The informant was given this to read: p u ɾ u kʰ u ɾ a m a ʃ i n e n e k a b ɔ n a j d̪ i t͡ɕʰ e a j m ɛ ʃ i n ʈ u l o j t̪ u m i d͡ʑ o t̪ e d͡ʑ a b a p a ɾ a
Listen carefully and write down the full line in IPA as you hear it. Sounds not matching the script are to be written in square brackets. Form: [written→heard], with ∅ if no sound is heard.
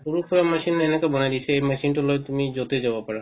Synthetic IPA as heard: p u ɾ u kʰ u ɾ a m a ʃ i n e n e k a b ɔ n a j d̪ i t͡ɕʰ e [a→e] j m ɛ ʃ i n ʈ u l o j t̪ u m i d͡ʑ o t̪ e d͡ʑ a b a p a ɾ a